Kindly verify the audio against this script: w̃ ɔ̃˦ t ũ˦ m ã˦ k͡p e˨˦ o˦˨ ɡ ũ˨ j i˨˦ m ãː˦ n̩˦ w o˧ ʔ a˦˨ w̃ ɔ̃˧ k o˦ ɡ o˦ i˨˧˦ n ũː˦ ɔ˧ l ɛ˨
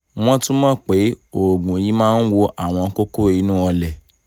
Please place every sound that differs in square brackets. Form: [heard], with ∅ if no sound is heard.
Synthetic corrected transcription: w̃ ɔ̃˦ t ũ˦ m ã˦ k͡p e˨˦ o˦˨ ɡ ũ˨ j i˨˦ m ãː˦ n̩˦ w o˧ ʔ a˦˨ w̃ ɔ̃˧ k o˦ [k] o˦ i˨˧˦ n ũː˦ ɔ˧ l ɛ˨